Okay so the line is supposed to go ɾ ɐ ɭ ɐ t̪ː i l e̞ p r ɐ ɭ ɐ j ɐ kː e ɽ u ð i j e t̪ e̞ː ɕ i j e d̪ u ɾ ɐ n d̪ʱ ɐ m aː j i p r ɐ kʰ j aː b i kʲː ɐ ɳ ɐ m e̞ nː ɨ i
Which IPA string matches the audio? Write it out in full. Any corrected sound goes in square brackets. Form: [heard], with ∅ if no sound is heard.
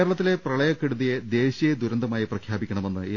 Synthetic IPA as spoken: ɾ ɐ ɭ ɐ t̪ː i l e̞ p r ɐ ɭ ɐ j ɐ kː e ɽ u ð i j e [d̪] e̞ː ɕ i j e d̪ u ɾ ɐ n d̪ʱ ɐ m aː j i p r ɐ kʰ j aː b i kʲː ɐ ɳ ɐ m e̞ nː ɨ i

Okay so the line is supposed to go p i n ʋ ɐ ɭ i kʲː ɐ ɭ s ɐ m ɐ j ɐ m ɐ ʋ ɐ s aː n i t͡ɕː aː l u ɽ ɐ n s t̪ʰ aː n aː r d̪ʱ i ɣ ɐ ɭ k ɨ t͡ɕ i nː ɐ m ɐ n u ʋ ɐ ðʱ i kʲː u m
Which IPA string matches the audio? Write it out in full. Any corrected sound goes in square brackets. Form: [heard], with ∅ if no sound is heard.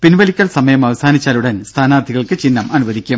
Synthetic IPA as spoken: p i n ʋ ɐ [l] i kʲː ɐ ɭ s ɐ m ɐ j ɐ m ɐ ʋ ɐ s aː n i t͡ɕː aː l u ɽ ɐ n s t̪ʰ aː n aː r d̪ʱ i ɣ ɐ ɭ k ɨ t͡ɕ i nː ɐ m ɐ n u ʋ ɐ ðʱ i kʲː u m

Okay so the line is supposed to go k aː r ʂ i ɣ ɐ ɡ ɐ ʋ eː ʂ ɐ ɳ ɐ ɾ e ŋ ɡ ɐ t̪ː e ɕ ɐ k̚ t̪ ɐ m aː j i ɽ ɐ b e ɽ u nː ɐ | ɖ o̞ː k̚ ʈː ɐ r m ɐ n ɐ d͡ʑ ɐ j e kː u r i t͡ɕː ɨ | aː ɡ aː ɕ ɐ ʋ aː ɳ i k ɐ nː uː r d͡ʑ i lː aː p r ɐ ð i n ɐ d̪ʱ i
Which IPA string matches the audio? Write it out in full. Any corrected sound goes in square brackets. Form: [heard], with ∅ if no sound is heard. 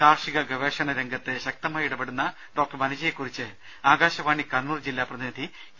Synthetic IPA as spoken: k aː r ʂ i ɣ ɐ ɡ ɐ ʋ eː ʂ ɐ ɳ ɐ ɾ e ŋ ɡ ɐ t̪ː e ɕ ɐ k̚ t̪ ɐ m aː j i ɽ ɐ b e ɽ u nː ɐ | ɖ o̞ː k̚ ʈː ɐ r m ɐ n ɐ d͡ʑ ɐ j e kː u r i t͡ɕː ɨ | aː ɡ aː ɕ ɐ ʋ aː ɳ i k ɐ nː uː r d͡ʑ i lː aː p r ɐ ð i n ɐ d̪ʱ i

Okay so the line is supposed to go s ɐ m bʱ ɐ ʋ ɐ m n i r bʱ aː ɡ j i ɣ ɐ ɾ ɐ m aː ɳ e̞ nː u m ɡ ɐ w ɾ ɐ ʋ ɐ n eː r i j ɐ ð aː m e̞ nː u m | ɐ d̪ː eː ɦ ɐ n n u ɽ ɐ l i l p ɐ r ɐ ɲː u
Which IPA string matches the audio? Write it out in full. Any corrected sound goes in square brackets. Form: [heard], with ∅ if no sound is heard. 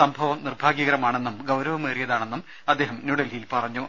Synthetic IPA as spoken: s ɐ m bʱ ɐ ʋ ɐ m n i r bʱ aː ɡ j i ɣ ɐ ɾ ɐ m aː ɳ e̞ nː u m ɡ ɐ w ɾ ɐ ʋ ɐ [m] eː r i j ɐ ð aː [ɳ] e̞ nː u m | ɐ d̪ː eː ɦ ɐ [m] n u ɽ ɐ l i l p ɐ r ɐ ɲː u

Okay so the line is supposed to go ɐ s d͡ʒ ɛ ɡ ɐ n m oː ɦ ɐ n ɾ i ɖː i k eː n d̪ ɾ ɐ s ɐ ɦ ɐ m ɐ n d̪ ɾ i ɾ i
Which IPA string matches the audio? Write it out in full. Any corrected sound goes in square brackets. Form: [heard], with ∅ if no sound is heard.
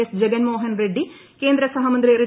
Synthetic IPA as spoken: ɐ s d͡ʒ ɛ ɡ ɐ n m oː ɦ ɐ n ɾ [e] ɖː i k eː n d̪ ɾ ɐ s ɐ ɦ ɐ m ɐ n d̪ ɾ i ɾ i

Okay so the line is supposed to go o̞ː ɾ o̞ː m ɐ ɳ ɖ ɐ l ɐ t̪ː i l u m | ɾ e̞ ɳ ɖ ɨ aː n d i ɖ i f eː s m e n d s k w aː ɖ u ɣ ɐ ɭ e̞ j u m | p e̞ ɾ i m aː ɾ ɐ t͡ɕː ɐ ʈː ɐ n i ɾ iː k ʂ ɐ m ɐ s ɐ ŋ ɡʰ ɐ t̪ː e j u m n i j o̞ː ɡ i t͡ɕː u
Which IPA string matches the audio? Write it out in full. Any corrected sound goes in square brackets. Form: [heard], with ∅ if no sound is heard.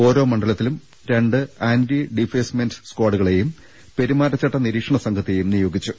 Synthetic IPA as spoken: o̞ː ɾ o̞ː m ɐ ɳ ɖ ɐ l ɐ t̪ː i l u m | ɾ e̞ ɳ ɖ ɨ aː n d i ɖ i f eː s m e n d s k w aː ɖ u ɣ ɐ ɭ e̞ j u m | p e̞ ɾ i m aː ɾ ɐ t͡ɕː ɐ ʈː ɐ n i ɾ iː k ʂ ɐ [ɳ] ɐ s ɐ ŋ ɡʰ ɐ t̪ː e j u m n i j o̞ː ɡ i t͡ɕː u

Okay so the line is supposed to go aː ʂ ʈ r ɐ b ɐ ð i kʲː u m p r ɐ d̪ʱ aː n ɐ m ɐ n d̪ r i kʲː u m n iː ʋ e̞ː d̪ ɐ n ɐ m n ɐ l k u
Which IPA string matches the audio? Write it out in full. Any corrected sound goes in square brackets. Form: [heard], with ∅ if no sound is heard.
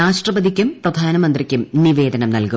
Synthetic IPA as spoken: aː ʂ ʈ r ɐ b ɐ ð i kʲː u m p r ɐ d̪ʱ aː n ɐ m ɐ n d̪ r i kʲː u m n [i] ʋ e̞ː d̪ ɐ n ɐ m n ɐ l k u

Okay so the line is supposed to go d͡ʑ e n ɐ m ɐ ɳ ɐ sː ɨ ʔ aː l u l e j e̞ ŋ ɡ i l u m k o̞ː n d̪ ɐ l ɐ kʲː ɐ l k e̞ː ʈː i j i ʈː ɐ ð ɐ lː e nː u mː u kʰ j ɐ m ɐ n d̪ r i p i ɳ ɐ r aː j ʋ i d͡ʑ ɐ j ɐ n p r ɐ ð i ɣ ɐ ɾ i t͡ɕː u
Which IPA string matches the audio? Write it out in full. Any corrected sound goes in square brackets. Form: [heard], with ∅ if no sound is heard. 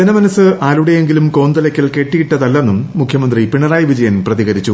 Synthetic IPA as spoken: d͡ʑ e n ɐ m ɐ [n] ɐ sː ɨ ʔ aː l u [ɽ] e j e̞ ŋ ɡ i l u m k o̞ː n d̪ ɐ l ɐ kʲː ɐ l k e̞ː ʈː i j i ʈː ɐ ð ɐ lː e nː u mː u kʰ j ɐ m ɐ n d̪ r i p i ɳ ɐ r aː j ʋ i d͡ʑ ɐ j ɐ n p r ɐ ð i ɣ ɐ ɾ i t͡ɕː u

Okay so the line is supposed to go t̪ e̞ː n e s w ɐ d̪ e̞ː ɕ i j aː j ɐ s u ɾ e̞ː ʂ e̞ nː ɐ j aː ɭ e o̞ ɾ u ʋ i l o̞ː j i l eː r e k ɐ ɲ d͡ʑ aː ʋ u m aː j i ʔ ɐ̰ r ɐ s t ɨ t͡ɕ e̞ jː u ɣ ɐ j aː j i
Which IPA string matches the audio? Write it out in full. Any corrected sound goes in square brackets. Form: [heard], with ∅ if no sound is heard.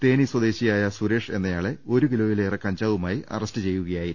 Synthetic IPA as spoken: t̪ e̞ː n [i] s w ɐ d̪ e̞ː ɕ i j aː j ɐ s u ɾ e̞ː ʂ e̞ nː ɐ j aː ɭ e o̞ ɾ u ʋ i l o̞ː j i l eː r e k ɐ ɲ d͡ʑ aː ʋ u m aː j i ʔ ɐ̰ r ɐ s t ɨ t͡ɕ e̞ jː u ɣ ɐ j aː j i

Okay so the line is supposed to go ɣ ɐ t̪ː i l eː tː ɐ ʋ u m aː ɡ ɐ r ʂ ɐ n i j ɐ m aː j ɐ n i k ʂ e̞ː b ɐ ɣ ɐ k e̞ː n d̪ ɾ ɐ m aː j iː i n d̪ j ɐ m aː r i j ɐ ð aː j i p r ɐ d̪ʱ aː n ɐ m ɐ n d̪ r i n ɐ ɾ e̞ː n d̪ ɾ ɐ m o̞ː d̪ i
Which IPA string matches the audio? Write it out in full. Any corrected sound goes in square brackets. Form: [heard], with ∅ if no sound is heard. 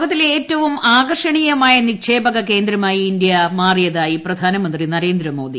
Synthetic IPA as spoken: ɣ ɐ t̪ː i l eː tː ɐ ʋ u m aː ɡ ɐ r ʂ ɐ [ɳ] i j ɐ m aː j ɐ n i k ʂ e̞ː b ɐ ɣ ɐ k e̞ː n d̪ ɾ ɐ m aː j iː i n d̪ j ɐ m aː r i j ɐ ð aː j i p r ɐ d̪ʱ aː n ɐ m ɐ n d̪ r i n ɐ ɾ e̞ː n d̪ ɾ ɐ m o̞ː d̪ i

